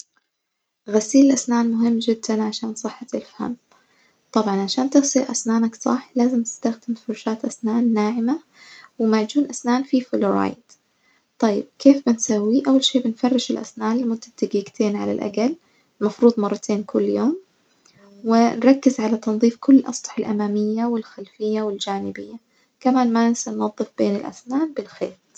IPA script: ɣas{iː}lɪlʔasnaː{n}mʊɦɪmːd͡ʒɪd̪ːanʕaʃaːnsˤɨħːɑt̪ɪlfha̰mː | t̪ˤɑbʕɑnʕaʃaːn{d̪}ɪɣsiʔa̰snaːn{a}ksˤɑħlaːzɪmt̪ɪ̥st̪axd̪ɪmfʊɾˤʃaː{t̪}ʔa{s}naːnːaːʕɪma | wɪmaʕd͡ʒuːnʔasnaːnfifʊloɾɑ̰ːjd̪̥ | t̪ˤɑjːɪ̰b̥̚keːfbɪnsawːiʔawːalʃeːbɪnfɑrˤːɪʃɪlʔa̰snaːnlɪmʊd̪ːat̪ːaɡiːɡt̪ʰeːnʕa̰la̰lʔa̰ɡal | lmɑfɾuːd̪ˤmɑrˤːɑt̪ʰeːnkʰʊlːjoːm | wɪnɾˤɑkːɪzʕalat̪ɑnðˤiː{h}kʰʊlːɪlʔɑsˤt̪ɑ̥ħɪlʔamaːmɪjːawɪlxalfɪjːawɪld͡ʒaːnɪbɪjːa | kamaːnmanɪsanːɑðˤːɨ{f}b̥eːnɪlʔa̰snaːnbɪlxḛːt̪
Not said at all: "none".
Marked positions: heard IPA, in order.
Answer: iː, n, t̪, a, t̪, s, f, f

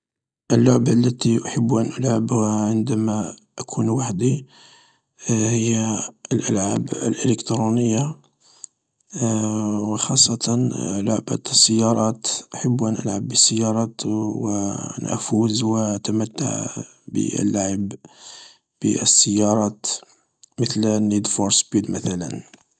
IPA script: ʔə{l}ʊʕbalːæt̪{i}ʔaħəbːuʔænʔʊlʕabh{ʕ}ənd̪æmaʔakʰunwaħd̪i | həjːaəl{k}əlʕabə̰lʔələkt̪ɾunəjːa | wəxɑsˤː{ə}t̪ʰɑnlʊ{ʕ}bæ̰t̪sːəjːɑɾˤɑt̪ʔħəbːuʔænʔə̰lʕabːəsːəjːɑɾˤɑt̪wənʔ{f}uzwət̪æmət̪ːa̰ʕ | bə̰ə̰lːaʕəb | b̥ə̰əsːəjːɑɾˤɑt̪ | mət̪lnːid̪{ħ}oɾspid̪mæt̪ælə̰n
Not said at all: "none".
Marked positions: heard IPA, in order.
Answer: lː, i, ʕ, ʔ, ɑ, ʕ, f, f

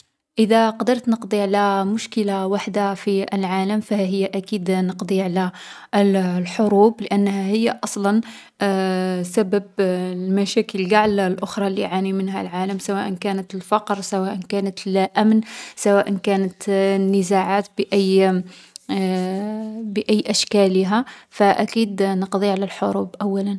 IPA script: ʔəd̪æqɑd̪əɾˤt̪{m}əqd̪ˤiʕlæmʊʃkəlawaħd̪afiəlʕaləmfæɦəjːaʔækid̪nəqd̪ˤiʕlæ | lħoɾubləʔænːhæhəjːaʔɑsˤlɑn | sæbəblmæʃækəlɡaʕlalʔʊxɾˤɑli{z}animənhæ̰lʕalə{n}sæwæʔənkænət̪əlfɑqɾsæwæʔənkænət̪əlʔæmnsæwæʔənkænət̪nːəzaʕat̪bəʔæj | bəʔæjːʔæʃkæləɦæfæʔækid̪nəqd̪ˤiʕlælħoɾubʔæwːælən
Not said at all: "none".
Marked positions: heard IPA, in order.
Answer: n, ʕ, m

